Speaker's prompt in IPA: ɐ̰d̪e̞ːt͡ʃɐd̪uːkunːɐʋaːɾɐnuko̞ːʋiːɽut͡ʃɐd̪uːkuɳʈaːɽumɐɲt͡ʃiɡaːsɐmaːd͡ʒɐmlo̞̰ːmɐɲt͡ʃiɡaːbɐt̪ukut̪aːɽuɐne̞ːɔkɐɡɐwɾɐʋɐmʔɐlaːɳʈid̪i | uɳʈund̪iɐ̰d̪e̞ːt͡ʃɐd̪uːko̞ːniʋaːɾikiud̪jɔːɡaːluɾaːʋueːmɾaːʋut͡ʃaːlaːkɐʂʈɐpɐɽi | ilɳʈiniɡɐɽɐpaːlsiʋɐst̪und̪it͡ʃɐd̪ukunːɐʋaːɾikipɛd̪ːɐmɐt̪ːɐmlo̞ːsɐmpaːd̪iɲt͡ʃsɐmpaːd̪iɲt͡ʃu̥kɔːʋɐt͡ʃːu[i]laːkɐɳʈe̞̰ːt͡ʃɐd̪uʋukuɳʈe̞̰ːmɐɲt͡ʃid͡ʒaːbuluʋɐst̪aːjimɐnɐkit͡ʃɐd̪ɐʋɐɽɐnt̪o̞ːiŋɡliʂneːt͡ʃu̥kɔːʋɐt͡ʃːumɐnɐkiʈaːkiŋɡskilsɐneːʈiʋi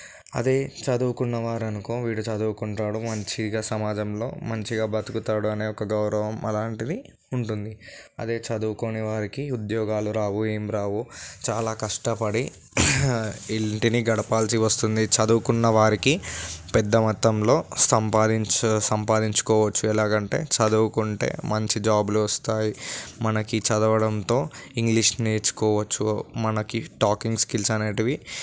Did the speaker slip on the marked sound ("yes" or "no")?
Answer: yes